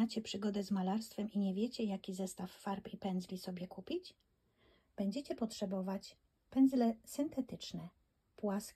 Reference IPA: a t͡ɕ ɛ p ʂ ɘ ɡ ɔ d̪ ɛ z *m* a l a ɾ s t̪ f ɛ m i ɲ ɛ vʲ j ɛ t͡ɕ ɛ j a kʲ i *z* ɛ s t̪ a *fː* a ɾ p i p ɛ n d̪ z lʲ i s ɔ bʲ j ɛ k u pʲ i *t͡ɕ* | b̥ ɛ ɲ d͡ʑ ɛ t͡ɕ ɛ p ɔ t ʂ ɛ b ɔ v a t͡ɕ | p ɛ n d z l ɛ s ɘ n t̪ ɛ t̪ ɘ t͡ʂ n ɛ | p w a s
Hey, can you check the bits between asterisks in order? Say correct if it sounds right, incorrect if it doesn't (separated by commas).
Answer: correct, correct, correct, correct